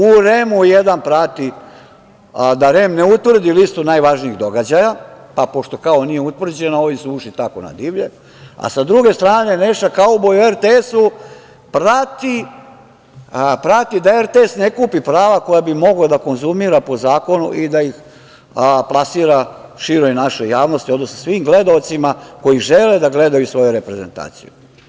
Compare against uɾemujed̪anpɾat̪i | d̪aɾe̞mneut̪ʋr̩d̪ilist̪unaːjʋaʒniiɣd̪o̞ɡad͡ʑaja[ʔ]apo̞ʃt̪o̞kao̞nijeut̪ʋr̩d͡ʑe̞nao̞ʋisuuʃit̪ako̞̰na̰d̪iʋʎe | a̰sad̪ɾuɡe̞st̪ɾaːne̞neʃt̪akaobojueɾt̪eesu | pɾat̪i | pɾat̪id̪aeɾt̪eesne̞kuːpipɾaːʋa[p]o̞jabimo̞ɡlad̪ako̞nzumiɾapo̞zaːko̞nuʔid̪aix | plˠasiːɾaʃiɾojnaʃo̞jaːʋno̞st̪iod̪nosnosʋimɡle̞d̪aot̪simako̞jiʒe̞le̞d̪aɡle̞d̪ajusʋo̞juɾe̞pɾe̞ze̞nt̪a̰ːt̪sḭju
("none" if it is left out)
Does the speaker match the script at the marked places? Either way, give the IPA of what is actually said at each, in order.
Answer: p, k

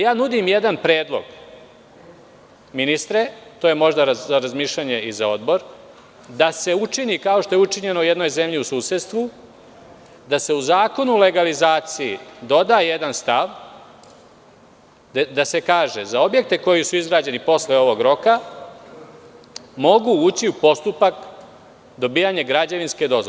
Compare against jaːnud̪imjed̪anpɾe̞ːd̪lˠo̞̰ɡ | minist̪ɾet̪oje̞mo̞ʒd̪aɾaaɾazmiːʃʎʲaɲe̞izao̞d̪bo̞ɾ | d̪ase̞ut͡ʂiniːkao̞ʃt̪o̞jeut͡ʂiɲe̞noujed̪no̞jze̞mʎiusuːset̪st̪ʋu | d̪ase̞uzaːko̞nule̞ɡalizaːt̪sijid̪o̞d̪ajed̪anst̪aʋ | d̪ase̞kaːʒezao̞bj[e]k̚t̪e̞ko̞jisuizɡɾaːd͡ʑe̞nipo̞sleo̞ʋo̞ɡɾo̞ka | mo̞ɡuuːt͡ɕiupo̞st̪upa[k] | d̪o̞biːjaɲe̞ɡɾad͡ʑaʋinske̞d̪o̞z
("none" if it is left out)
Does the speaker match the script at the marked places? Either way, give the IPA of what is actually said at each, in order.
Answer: e, k

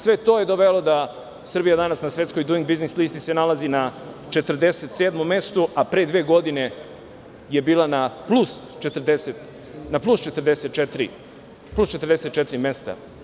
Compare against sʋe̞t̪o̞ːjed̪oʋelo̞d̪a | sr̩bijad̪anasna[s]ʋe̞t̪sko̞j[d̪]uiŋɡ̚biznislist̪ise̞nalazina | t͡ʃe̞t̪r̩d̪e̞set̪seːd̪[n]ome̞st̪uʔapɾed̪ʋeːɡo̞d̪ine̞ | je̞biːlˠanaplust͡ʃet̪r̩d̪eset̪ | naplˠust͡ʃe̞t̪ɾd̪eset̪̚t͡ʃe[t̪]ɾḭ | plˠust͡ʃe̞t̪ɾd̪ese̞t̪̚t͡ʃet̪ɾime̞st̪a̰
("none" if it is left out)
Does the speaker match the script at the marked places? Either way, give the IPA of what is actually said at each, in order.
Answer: s, d̪, m, t̪

